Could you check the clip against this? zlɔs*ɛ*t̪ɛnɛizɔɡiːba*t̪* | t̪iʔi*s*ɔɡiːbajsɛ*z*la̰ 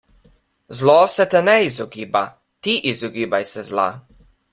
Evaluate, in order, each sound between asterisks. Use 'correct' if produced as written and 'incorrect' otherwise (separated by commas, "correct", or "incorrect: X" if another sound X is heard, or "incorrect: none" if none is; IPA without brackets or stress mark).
correct, incorrect: none, incorrect: z, correct